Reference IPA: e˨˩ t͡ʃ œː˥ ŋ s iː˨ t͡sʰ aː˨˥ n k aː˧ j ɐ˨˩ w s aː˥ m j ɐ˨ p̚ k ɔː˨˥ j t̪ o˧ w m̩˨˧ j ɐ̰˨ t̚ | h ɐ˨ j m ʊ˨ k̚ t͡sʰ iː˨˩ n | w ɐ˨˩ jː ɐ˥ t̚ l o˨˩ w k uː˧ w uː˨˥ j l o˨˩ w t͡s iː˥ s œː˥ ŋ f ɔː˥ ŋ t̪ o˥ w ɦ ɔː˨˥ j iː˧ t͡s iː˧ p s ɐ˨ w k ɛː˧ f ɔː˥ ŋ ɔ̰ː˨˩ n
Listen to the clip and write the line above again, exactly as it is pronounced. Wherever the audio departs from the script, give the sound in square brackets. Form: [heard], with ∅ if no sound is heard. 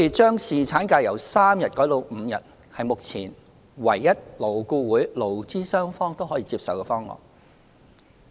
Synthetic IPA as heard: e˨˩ t͡ʃ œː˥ ŋ s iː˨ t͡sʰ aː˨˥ n k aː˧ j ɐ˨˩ w s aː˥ m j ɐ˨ [t̚] k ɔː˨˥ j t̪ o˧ w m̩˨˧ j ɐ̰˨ t̚ | h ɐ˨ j m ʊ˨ k̚ t͡sʰ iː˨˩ n | w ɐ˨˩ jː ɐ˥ t̚ l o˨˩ w k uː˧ w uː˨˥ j l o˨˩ w t͡s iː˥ s œː˥ ŋ f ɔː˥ ŋ t̪ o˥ w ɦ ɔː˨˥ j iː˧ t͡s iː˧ p s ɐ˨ w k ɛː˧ f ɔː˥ ŋ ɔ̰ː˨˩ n